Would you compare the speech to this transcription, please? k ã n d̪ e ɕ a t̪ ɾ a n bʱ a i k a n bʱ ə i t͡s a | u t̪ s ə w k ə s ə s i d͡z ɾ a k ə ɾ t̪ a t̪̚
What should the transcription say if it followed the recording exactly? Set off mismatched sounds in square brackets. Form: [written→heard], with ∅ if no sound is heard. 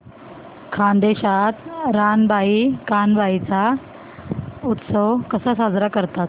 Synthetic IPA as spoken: [k→kʰ] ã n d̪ e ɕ a t̪ ɾ a n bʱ a i k a n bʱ [ə→a] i t͡s a | u t̪ s ə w k ə s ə s [i→a] d͡z ɾ a k ə ɾ t̪ a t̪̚